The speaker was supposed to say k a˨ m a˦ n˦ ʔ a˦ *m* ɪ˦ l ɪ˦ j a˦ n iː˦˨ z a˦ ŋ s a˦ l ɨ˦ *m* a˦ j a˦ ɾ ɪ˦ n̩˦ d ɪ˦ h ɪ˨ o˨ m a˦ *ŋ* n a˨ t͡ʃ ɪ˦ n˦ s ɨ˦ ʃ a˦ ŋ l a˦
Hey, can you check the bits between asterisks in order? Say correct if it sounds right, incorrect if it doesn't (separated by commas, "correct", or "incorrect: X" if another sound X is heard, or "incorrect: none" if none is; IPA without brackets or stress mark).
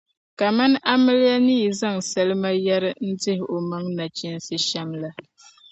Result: correct, correct, correct